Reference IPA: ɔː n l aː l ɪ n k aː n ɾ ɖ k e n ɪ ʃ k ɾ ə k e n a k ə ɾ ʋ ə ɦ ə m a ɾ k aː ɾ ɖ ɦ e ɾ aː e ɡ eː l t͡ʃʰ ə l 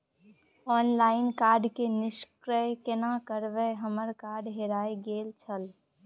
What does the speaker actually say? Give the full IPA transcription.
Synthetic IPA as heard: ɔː n l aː ɪ n k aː ɾ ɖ k e n ɪ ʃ k ɾ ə k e n a k ə ɾ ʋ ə ɦ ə m ə ɾ k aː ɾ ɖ ɦ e ɾ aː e ɡ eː l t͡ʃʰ ə l